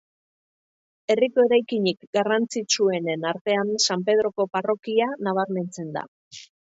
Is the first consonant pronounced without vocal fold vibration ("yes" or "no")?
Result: no